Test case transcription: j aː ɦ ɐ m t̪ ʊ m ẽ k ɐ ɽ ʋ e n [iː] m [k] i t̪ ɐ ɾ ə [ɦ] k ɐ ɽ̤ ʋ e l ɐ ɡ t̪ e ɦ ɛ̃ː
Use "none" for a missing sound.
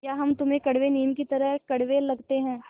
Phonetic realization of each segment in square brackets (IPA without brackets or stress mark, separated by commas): iː, k, ɦ